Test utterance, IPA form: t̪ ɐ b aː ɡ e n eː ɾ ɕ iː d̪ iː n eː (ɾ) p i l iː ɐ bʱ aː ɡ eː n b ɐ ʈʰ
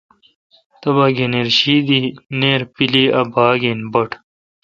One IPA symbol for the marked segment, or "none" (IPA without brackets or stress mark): ɾ